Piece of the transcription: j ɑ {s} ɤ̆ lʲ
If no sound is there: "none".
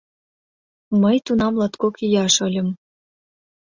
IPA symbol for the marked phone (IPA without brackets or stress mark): ʃ